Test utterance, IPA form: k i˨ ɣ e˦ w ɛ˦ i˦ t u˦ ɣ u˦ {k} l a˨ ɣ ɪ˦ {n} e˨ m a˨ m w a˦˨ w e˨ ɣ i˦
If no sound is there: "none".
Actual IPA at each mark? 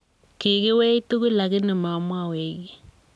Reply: none, n

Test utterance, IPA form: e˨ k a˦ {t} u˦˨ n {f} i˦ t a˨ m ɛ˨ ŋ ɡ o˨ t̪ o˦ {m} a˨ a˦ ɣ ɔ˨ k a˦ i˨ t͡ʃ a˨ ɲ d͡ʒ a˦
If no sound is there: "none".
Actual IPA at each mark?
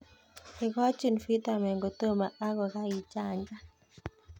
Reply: t͡ʃ, f, m

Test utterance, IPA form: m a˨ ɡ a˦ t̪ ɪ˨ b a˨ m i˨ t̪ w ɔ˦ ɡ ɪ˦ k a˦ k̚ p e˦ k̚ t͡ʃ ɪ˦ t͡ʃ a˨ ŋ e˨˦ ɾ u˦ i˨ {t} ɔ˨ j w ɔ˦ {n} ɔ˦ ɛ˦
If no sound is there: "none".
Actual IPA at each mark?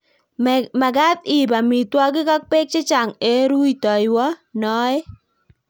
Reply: t, n

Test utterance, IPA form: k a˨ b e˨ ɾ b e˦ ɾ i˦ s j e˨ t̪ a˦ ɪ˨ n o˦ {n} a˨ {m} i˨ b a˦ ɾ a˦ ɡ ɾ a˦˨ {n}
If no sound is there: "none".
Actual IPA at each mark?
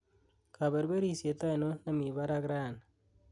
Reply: n, m, n

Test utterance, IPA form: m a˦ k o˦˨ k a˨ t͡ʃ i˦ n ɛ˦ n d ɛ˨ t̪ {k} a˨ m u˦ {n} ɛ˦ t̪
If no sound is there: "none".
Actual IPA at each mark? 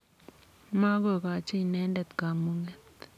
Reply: k, ŋ

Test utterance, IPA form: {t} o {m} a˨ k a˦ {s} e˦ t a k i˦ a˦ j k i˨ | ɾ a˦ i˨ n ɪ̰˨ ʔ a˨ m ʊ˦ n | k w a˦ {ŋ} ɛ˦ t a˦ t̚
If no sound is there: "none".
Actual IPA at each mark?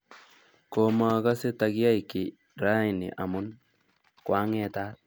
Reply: k, m, s, ŋ

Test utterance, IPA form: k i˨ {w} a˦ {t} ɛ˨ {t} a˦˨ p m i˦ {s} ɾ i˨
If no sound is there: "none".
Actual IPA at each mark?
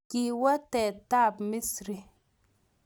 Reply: w, t, t, s

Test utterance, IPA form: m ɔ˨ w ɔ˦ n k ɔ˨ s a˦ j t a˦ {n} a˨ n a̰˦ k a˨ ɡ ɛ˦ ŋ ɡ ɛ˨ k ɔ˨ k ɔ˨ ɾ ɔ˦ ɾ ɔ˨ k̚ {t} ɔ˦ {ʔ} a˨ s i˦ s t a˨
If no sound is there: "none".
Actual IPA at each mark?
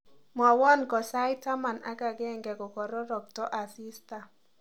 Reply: m, t, ʔ

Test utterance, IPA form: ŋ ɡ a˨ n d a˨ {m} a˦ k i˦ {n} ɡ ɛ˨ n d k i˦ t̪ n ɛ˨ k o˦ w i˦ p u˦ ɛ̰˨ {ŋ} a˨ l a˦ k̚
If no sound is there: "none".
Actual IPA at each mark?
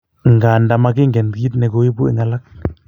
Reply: m, ŋ, ŋ

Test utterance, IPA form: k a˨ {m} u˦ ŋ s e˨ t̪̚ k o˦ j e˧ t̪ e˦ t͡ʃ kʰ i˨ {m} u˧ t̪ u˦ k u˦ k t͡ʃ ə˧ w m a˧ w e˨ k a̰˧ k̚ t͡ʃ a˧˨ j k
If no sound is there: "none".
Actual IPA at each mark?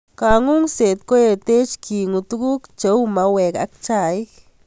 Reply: ŋ, ŋ

